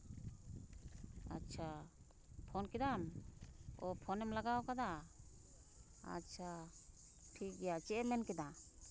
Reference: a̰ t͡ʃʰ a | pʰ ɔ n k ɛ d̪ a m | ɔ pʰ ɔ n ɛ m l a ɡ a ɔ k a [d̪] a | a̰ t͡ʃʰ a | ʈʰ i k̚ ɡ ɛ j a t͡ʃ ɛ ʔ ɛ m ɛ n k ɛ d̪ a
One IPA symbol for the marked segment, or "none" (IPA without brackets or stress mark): d̪